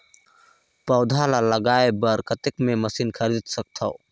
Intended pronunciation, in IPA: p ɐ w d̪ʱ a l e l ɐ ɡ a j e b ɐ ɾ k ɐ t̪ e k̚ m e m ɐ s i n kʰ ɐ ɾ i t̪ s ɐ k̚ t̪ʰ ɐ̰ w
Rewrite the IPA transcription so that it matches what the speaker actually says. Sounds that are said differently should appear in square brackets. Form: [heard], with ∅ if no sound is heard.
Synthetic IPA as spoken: p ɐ w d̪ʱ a l [a] l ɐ ɡ a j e b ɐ ɾ k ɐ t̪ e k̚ m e m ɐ s i n kʰ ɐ ɾ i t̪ s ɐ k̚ t̪ʰ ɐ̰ w